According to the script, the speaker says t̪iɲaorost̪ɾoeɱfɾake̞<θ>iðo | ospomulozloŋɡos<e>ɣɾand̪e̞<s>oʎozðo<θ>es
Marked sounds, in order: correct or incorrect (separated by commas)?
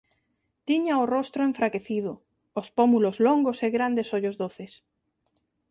correct, correct, correct, correct